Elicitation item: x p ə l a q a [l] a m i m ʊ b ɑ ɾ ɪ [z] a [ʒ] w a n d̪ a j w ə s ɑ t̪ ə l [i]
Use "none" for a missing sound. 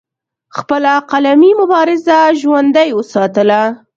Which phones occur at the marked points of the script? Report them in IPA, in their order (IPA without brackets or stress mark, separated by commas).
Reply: l, z, ʒ, a